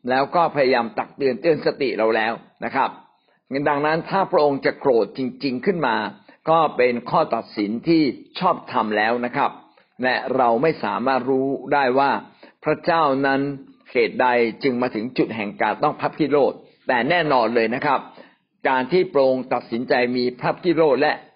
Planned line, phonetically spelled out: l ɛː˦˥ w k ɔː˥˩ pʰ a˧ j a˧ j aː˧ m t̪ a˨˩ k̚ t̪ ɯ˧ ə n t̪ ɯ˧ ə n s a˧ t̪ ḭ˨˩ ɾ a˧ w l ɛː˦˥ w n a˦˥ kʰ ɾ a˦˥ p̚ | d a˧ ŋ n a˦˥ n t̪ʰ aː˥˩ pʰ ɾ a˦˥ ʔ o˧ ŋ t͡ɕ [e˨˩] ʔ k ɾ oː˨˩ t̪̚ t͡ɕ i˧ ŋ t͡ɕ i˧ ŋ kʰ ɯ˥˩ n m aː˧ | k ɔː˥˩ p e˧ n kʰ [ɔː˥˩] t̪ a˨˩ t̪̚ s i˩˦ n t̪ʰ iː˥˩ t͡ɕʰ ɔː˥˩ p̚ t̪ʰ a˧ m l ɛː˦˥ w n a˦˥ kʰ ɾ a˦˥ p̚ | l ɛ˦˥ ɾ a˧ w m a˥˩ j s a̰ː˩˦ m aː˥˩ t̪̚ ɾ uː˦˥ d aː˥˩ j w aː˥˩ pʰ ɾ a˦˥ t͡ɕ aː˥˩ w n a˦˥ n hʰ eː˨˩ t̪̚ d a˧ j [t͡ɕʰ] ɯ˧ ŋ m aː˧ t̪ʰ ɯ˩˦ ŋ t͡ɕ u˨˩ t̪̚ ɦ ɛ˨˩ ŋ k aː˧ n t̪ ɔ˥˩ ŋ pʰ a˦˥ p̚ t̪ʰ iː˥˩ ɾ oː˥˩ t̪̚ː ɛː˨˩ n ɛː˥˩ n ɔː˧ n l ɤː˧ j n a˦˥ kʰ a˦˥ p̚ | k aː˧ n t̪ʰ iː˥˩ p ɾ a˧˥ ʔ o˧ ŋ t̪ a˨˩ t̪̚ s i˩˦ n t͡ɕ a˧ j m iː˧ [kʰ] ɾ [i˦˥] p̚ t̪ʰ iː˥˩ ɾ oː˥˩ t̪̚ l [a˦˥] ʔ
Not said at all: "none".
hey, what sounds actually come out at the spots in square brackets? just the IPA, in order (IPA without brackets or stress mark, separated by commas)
a˨˩, ɔː˥˩, t͡ɕ, pʰ, a˦˥, ɛ˦˥